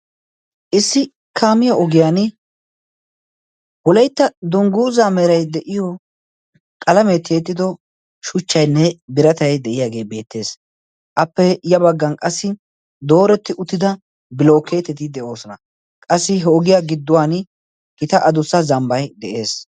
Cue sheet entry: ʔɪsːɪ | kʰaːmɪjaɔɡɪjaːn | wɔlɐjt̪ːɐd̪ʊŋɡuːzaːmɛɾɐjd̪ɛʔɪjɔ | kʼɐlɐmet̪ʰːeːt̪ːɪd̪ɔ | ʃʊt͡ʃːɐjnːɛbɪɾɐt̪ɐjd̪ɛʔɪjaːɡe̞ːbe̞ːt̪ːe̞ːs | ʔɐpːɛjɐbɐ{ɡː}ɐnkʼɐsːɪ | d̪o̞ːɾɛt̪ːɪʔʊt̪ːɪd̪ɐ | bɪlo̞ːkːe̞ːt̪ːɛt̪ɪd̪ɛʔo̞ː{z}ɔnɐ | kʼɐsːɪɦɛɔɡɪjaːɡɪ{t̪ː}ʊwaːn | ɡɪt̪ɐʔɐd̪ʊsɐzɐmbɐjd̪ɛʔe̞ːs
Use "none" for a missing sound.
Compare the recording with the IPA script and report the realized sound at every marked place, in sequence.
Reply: ɡː, s, d̪ː

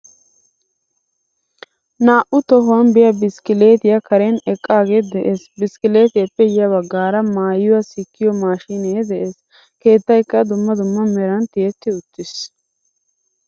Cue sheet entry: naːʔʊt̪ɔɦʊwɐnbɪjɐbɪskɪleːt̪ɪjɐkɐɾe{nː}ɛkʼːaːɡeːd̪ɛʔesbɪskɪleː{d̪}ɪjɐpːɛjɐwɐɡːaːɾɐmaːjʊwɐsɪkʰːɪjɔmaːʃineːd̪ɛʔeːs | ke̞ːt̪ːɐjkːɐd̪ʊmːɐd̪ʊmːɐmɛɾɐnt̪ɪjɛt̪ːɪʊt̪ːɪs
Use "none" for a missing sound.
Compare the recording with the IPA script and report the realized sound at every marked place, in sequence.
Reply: n, t̪

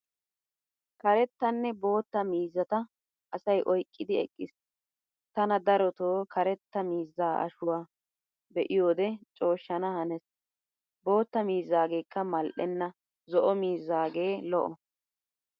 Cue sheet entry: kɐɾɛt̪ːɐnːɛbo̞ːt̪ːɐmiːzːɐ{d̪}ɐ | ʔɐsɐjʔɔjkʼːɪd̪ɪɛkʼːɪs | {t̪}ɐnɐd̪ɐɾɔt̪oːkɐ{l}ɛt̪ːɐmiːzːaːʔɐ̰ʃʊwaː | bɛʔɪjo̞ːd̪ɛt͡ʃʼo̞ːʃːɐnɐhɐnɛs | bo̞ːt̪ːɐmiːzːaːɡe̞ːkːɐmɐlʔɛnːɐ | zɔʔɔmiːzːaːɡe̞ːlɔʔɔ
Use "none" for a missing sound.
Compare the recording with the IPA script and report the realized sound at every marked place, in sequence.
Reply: t̪, t̪, ɾ

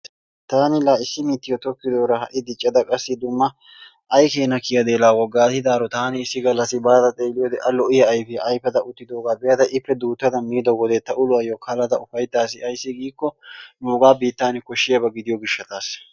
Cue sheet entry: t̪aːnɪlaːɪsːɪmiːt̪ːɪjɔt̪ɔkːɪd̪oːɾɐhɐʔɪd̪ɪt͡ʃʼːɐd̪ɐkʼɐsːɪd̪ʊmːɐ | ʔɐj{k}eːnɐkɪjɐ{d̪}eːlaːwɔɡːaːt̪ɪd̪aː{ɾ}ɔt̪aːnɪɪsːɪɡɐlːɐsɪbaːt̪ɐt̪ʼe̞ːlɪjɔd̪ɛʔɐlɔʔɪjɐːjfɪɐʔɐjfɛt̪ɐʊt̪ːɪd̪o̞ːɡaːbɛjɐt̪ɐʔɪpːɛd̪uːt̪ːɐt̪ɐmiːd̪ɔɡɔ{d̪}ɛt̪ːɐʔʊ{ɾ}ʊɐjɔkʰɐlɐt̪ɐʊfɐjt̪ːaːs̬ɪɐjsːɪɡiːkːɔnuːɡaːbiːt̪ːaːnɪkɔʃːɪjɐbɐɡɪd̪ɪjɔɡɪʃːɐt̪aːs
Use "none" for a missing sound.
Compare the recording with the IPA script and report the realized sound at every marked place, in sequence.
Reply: k, d̪, ɾ, d̪, l

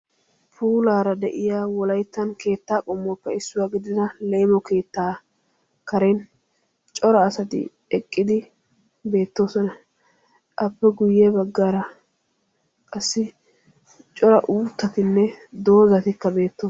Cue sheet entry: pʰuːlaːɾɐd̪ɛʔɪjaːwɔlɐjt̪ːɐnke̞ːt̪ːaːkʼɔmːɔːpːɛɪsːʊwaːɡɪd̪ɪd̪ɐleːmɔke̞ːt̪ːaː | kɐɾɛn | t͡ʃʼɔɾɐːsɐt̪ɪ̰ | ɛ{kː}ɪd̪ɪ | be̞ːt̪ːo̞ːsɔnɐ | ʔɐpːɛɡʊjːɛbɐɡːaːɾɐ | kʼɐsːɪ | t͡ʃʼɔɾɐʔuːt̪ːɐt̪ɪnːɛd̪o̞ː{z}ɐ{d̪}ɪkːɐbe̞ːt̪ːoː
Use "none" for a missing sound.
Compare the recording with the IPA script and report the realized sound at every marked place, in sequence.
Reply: kʼː, z, t̪

